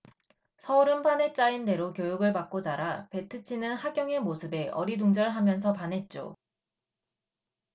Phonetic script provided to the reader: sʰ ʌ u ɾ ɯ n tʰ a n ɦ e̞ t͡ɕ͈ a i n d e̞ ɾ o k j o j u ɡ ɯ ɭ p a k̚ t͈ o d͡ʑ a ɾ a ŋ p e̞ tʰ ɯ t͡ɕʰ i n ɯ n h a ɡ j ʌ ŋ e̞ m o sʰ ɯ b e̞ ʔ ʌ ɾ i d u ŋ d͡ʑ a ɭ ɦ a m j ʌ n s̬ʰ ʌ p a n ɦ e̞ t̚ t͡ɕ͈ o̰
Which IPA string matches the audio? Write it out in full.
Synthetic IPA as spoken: sʰ ʌ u ɾ ɯ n pʰ a n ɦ e̞ t͡ɕ͈ a i n d e̞ ɾ o k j o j u ɡ ɯ ɭ p a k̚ k͈ o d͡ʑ a ɾ a p e̞ tʰ ɯ t͡ɕʰ i n ɯ n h a ɡ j ʌ ŋ e̞ m o sʰ ɯ b e̞ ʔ ʌ ɾ i d u ŋ d͡ʑ ʌ ɭ ɦ a m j ʌ n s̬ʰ ʌ p a n ɦ e̞ t̚ t͡ɕ͈ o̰

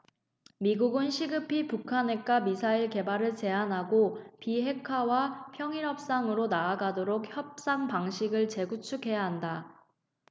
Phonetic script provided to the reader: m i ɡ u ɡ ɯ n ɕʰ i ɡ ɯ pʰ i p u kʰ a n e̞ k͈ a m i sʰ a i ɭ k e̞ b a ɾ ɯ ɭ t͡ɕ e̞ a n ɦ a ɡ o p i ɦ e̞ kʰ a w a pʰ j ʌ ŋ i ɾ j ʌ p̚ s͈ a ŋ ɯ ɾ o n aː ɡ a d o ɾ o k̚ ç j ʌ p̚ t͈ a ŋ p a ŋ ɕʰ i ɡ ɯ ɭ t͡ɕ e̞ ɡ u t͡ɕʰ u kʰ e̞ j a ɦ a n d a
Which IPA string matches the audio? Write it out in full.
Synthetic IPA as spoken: m i ɡ u ɡ ɯ n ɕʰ i ɡ ɯ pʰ i p u kʰ a n e̞ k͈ a m i sʰ a i ɭ k e̞ b a ɾ ɯ ɭ t͡ɕ e̞ a n ɦ a ɡ o p i ɦ e̞ kʰ a w a pʰ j ʌ ŋ i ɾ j ʌ p̚ s͈ a ŋ ɯ ɾ o n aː ɡ a d o ɾ o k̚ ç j ʌ p̚ s͈ a ŋ p a ŋ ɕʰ i ɡ ɯ ɭ t͡ɕ e̞ ɡ u t͡ɕʰ u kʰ e̞ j a ɦ a n d a

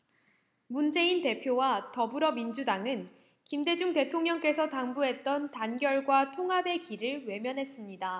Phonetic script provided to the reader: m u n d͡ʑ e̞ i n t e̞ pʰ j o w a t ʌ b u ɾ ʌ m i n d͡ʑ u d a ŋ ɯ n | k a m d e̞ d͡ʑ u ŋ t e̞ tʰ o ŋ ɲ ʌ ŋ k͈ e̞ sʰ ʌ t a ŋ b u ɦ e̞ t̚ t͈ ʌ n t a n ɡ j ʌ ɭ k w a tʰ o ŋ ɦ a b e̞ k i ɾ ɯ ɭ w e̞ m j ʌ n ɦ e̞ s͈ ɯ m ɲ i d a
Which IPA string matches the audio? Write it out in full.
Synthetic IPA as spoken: m u n d͡ʑ e̞ i n t e̞ pʰ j o w a t ʌ b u ɾ ʌ m i n d͡ʑ u d a ŋ ɯ n | k i m d e̞ d͡ʑ u ŋ t e̞ tʰ o ŋ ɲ ʌ ŋ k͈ e̞ sʰ ʌ t a ŋ b u ɦ e̞ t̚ t͈ ʌ n t a n ɡ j ʌ ɭ ɡ w a tʰ o ŋ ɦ a b e̞ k i ɾ ɯ ɭ w e̞ m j ʌ n ɦ e̞ s͈ ɯ m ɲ i d a

